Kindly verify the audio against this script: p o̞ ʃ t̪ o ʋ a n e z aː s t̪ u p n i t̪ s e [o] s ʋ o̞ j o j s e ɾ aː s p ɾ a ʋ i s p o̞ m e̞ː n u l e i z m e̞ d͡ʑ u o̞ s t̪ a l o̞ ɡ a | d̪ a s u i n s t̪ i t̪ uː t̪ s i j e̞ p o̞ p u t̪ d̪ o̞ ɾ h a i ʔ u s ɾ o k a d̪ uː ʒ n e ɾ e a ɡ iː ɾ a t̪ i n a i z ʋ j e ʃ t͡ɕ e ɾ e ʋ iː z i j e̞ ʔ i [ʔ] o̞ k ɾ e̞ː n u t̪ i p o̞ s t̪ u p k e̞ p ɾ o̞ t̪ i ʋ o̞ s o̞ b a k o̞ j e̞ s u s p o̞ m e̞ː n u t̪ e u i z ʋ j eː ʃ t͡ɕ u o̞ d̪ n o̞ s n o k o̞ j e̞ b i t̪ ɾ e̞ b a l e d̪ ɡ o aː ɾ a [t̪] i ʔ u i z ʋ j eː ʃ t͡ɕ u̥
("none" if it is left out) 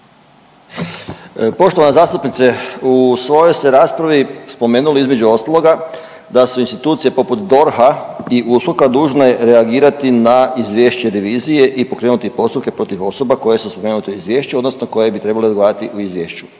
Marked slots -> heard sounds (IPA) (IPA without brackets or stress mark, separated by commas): u, p, t̪